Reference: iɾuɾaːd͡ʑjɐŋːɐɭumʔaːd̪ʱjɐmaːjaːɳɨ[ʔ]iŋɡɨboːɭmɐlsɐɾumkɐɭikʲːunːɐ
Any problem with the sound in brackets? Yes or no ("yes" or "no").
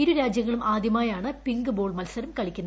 yes